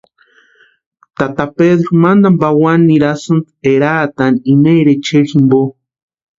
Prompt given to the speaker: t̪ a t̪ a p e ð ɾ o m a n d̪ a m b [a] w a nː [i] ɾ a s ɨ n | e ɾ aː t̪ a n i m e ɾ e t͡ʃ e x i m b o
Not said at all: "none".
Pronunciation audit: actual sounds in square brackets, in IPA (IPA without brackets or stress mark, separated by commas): a, i